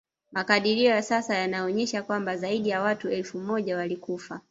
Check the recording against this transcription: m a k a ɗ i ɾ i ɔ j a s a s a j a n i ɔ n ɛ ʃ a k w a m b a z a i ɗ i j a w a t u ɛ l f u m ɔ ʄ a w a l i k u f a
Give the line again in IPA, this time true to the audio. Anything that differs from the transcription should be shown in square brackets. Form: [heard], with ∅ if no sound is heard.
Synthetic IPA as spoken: m a k a ɗ i ɾ i ɔ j a s a s a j a n [a] ɔ [ɲ] ɛ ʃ a k w a m b a z a i ɗ i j a w a t u ɛ l f u m ɔ ʄ a w a l i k u f a